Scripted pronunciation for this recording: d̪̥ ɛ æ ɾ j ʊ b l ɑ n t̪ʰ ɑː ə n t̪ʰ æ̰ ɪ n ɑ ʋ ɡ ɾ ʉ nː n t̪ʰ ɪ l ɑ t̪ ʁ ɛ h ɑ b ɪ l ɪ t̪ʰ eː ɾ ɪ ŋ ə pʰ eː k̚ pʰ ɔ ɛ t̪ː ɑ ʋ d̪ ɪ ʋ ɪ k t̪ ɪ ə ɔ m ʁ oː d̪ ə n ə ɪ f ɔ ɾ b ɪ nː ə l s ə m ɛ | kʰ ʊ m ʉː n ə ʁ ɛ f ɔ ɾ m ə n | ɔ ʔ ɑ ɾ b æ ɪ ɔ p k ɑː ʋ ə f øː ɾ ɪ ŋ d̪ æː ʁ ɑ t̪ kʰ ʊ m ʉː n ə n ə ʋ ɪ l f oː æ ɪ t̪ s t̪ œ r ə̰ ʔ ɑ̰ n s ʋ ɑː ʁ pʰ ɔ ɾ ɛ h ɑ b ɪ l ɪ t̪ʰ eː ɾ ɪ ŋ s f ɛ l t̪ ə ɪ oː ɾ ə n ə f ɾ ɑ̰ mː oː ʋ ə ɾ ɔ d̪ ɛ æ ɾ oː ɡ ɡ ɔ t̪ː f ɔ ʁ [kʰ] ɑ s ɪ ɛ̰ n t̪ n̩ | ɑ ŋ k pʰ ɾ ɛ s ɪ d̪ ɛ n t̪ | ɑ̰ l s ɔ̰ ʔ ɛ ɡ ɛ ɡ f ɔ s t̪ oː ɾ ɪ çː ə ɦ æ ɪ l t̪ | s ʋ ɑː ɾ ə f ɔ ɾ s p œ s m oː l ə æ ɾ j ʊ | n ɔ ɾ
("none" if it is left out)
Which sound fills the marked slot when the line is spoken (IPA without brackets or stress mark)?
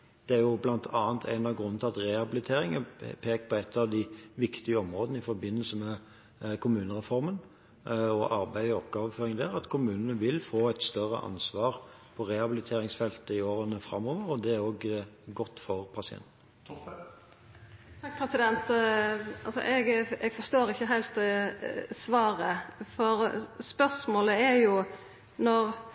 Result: pʰ